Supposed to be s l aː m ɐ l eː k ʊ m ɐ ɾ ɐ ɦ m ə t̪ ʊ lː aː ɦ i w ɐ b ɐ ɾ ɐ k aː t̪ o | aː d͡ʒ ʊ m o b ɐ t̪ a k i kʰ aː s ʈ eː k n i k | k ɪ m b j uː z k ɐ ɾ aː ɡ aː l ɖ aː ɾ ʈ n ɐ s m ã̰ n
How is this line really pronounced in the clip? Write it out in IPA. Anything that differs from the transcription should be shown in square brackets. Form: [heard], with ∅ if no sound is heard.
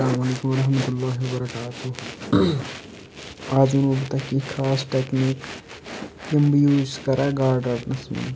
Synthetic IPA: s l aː m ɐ l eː k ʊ m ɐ ɾ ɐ ɦ m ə t̪ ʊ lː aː ɦ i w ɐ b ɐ ɾ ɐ k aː t̪ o | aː d͡ʒ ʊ [n] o b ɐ t̪ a k i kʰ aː s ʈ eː k n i k | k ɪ m b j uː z k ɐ ɾ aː ɡ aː [ɾ] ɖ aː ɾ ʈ n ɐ s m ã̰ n